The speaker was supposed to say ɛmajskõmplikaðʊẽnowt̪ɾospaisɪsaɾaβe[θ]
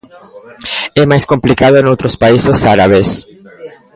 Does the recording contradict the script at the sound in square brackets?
yes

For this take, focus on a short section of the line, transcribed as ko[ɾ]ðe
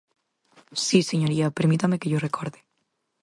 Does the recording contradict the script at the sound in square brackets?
no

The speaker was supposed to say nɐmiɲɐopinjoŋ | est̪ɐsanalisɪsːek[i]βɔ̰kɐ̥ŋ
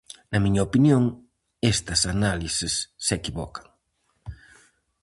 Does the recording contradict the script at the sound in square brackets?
no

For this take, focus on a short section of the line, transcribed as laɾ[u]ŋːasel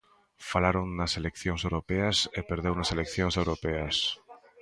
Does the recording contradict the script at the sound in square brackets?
yes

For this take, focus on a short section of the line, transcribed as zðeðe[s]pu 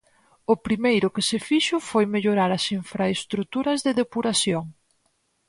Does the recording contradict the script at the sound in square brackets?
yes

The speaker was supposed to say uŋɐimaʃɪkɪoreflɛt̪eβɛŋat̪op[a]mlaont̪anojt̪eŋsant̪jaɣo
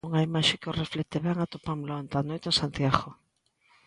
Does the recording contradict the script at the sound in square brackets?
no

